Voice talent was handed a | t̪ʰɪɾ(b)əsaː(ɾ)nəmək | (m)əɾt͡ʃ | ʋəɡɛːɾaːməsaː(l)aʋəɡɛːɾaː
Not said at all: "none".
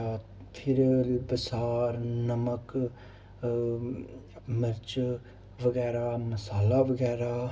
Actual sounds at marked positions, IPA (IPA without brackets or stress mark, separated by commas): b, ɾ, m, l